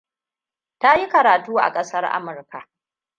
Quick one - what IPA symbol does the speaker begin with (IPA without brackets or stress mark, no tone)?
t